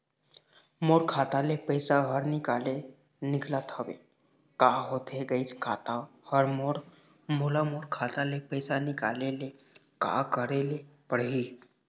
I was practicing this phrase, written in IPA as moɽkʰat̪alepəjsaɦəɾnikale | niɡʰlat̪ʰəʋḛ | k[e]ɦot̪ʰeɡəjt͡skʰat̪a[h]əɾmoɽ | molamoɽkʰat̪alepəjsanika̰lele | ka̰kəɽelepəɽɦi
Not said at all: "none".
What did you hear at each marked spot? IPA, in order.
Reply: a, h

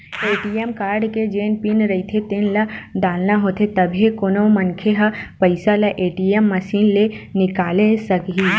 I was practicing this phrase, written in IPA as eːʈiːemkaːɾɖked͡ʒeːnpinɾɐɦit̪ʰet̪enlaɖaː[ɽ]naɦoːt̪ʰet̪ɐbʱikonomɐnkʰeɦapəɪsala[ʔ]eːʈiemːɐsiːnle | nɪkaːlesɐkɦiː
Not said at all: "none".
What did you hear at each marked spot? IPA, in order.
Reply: l, ʔ

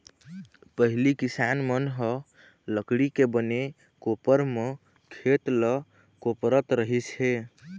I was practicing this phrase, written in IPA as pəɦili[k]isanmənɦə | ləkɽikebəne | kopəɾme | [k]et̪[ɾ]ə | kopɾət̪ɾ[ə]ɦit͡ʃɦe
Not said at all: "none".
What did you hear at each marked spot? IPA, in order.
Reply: k, kʰ, l, ə

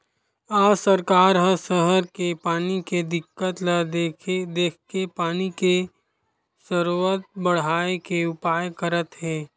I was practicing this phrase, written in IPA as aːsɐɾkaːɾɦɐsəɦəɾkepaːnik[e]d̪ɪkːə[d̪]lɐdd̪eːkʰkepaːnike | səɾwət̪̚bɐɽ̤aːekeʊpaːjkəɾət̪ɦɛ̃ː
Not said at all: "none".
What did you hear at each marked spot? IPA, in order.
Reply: e, t̪

